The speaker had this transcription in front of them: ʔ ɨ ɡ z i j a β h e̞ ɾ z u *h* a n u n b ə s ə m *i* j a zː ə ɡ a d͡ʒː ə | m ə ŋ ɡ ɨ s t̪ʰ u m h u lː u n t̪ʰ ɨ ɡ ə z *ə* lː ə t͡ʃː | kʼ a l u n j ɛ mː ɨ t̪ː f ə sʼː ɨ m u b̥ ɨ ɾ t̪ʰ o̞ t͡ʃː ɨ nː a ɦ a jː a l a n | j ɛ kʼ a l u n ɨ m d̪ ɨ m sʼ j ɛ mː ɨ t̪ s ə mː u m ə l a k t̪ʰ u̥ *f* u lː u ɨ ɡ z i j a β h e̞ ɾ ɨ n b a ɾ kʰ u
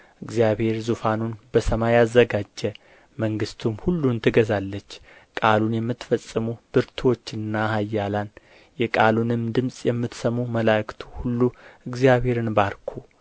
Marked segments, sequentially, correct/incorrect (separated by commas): incorrect, incorrect, incorrect, incorrect